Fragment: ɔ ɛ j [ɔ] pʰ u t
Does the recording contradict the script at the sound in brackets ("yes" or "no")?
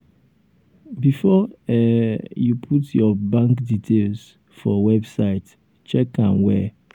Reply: yes